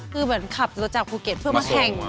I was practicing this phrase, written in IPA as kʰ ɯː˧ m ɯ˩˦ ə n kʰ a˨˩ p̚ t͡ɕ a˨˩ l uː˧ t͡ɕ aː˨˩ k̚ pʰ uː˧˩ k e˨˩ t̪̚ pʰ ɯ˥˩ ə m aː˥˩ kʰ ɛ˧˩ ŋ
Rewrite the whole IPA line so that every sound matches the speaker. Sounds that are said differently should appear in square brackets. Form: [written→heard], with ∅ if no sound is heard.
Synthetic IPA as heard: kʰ ɯː˧ m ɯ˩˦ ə n kʰ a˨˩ p̚ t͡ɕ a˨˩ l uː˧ t͡ɕ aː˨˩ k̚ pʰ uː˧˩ k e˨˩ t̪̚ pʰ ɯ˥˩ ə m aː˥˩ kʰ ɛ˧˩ ŋ